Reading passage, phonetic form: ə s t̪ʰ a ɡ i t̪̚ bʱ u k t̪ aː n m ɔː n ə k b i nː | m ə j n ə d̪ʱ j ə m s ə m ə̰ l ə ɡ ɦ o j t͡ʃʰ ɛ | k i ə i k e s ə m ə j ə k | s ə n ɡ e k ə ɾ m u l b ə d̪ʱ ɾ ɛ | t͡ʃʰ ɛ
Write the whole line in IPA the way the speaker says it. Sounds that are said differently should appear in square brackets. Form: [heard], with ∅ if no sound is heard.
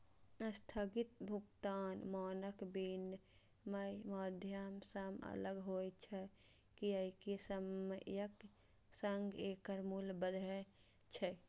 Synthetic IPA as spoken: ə s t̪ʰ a ɡ i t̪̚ bʱ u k t̪ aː n m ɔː n ə k b i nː | m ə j [m] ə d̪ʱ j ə m s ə m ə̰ l ə ɡ ɦ o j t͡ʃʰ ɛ | k i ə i k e s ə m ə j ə k | s ə [ŋ] ɡ e k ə ɾ m u l b ə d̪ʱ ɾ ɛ | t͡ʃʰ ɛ

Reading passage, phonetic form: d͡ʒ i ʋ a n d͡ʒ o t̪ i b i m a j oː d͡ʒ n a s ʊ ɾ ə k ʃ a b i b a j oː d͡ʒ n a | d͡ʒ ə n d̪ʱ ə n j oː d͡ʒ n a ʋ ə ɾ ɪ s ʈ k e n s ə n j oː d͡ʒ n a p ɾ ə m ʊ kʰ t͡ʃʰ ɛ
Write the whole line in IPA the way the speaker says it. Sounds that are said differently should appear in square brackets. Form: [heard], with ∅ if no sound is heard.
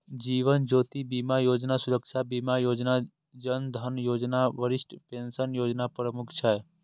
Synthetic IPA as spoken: d͡ʒ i ʋ [ə] n d͡ʒ o t̪ i b i m a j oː d͡ʒ n a s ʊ ɾ ə k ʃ a b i [m] a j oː d͡ʒ n a | d͡ʒ ə n d̪ʱ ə n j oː d͡ʒ n a ʋ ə ɾ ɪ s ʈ [p] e n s ə n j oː d͡ʒ n a p ɾ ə m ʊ kʰ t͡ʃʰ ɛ

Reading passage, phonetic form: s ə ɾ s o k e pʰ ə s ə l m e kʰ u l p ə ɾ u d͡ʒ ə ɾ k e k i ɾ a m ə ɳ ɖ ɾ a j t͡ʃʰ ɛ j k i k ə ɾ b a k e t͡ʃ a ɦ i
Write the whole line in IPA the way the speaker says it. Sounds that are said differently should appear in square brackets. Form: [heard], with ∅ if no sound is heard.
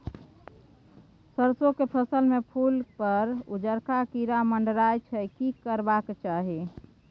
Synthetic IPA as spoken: s ə ɾ s o k e pʰ ə s ə l m e [pʰ] u l p ə ɾ u d͡ʒ ə ɾ k [a] k i ɾ a m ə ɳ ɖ ɾ a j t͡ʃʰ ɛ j k i k ə ɾ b a k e t͡ʃ a ɦ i

